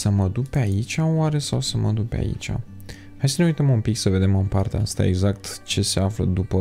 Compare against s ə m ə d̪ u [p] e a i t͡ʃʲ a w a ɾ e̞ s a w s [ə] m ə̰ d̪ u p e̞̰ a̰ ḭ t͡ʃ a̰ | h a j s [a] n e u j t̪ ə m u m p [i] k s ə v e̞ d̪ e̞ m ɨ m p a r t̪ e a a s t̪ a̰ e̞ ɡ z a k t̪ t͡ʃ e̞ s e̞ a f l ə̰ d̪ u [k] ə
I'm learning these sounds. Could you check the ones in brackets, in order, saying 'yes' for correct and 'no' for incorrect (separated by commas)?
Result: yes, yes, no, yes, no